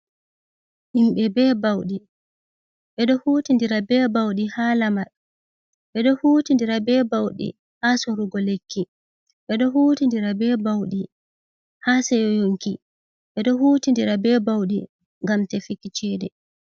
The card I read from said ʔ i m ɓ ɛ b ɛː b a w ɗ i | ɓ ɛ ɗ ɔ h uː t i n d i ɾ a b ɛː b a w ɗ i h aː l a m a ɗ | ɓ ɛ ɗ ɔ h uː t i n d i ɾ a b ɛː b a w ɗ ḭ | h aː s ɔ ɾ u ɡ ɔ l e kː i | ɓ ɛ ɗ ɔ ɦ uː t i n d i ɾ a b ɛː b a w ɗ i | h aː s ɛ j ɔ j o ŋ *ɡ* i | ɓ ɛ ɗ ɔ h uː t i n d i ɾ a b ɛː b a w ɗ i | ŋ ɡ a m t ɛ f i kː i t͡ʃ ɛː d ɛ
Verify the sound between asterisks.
incorrect: k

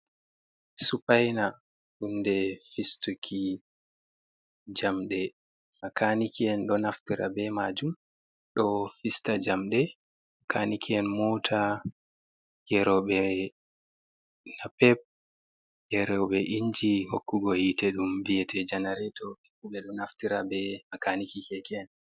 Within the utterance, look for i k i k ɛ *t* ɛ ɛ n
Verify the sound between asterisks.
incorrect: k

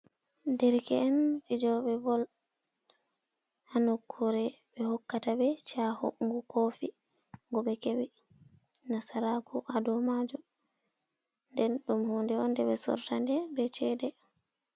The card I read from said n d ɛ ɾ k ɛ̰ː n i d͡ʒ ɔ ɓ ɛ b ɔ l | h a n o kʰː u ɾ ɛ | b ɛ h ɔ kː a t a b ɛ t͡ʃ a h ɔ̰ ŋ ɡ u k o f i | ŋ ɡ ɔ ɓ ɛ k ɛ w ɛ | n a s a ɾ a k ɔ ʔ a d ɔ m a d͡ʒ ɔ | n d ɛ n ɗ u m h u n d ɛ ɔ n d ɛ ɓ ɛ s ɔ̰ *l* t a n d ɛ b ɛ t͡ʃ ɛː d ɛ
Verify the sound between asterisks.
incorrect: ɾ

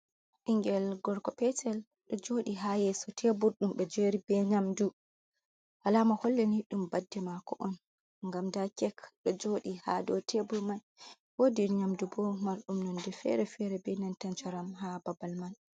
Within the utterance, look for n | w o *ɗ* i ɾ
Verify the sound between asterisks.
incorrect: d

